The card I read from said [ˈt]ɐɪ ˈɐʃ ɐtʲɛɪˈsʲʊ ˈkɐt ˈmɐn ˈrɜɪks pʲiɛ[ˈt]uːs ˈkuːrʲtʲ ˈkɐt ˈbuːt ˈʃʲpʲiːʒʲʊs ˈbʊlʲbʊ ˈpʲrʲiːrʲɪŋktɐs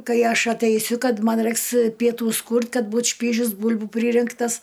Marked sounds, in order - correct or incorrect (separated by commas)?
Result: incorrect, correct